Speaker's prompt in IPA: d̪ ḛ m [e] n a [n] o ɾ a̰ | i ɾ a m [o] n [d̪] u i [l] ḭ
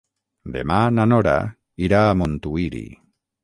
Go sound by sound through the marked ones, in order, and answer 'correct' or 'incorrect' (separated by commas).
incorrect, correct, correct, incorrect, incorrect